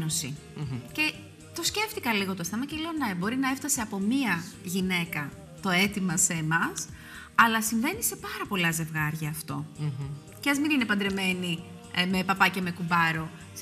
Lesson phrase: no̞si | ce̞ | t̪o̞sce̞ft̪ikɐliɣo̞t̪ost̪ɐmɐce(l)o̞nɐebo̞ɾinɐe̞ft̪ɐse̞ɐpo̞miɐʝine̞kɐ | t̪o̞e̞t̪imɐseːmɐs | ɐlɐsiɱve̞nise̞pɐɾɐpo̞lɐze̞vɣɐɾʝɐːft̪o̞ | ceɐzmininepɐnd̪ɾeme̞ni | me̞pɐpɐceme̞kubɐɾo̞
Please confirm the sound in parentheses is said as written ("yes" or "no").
yes